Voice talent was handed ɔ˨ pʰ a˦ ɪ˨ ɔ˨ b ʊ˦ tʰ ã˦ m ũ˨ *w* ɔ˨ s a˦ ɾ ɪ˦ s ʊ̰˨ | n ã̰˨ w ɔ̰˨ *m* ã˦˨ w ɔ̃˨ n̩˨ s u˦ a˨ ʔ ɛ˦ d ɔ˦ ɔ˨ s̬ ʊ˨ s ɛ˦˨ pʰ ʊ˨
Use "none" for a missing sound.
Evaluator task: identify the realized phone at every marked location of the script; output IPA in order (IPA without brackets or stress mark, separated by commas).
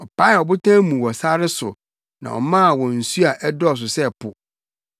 w, m